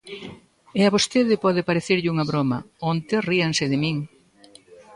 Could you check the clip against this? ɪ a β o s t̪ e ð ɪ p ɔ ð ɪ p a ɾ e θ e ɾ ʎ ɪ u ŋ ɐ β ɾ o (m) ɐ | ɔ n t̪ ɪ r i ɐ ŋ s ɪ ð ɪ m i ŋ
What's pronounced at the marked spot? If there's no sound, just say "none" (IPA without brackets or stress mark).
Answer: m